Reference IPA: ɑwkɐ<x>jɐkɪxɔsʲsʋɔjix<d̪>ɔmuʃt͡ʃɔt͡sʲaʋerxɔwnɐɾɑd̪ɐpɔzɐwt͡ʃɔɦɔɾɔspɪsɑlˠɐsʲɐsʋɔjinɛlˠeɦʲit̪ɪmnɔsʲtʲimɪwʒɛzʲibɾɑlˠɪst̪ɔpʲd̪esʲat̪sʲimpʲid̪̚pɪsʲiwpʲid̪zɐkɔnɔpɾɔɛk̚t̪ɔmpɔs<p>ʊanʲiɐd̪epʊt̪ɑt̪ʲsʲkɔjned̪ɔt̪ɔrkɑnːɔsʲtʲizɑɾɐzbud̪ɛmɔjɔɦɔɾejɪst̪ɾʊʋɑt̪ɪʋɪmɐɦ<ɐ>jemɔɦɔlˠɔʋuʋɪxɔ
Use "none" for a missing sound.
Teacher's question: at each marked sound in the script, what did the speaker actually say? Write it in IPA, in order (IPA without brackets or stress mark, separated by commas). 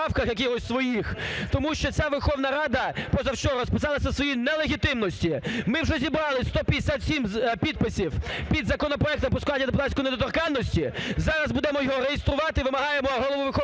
x, t̪, k, ɑ